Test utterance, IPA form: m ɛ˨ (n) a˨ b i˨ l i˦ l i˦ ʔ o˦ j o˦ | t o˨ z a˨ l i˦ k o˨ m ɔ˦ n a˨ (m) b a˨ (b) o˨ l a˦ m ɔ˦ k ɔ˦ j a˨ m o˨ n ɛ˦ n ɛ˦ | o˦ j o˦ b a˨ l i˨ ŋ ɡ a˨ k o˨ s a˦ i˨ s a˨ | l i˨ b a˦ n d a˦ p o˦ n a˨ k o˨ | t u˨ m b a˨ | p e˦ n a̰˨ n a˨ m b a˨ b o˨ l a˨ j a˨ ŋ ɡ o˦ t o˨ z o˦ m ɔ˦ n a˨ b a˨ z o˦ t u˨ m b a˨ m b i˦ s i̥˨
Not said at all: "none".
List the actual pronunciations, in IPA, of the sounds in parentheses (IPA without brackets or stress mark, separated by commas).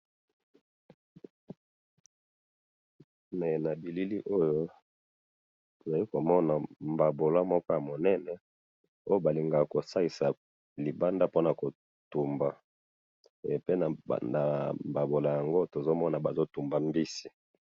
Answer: n, m, b